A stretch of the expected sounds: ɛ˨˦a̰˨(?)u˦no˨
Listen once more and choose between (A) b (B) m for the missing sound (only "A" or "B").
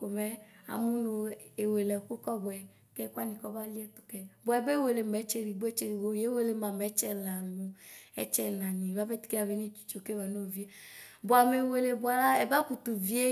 B